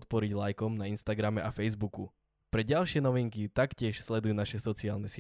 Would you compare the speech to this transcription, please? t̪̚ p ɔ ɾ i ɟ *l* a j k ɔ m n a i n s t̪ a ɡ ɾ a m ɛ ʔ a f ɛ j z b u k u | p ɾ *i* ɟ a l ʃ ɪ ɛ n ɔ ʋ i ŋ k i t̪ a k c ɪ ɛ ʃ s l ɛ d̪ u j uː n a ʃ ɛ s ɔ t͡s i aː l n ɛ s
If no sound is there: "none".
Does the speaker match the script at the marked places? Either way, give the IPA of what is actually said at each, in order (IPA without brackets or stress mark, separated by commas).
l, ɛ